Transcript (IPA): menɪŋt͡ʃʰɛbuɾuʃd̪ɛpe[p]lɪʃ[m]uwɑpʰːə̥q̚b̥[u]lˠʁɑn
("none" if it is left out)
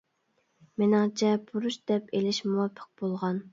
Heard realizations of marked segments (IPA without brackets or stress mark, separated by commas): none, m, o